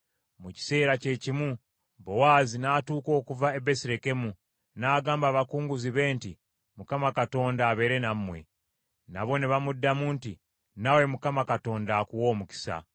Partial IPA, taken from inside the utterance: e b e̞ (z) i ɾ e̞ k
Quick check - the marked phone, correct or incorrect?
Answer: incorrect